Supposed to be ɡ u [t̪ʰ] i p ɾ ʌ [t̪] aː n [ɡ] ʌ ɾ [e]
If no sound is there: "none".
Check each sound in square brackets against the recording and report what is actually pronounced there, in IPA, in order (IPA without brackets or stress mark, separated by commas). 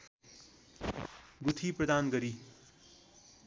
t̪ʰ, d̪, ɡ, i